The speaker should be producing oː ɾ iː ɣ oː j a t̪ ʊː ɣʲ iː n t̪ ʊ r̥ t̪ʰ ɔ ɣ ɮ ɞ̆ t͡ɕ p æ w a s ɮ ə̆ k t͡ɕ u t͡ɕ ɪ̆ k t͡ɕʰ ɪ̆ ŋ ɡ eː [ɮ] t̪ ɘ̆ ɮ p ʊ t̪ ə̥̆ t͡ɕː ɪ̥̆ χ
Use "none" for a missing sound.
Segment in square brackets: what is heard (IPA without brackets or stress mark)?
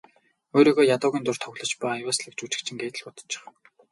none